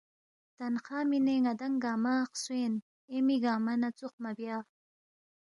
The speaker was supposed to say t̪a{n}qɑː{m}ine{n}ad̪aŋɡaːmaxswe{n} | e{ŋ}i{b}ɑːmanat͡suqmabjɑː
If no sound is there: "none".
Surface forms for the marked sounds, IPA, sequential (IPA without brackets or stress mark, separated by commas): n, m, ŋ, n, m, ɡ